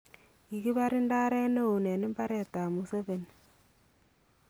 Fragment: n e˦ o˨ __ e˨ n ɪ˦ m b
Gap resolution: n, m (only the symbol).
n